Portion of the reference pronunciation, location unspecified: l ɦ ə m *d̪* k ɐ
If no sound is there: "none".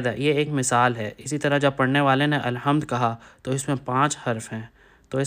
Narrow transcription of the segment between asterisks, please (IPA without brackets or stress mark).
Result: d̪